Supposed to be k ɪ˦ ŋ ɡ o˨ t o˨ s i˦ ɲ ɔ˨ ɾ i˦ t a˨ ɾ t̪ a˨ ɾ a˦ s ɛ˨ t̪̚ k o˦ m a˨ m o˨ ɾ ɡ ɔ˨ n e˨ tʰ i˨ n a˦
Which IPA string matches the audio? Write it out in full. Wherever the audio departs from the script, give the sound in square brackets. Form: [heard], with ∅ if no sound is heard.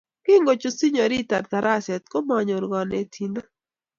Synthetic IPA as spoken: k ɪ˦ ŋ ɡ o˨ [t͡ʃ] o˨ s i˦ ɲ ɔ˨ ɾ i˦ t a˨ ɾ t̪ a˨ ɾ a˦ s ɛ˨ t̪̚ k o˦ m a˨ [ɲ] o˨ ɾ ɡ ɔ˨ n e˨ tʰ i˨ n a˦